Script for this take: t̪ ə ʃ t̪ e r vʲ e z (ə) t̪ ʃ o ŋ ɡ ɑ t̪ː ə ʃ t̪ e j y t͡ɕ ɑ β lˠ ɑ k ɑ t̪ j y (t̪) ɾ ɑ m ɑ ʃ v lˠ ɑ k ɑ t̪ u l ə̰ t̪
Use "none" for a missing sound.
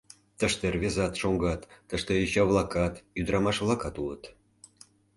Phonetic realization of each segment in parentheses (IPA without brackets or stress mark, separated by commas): ɑ, d̪